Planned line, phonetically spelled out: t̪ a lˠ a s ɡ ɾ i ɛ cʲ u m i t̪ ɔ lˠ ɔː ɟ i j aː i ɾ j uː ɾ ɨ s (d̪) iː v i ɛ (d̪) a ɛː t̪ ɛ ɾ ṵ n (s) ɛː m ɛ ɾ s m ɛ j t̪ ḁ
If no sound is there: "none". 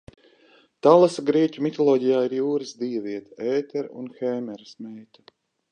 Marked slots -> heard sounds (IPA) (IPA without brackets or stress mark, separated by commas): d̪, t̪, x